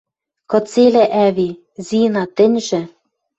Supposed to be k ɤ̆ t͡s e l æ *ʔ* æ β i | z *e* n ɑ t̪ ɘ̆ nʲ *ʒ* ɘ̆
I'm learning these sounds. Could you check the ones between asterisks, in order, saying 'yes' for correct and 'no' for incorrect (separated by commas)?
yes, no, yes